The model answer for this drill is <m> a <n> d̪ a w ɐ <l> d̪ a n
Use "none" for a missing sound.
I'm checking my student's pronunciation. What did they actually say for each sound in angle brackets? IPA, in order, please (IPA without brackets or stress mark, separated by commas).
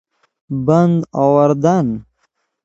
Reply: b, n, ɾ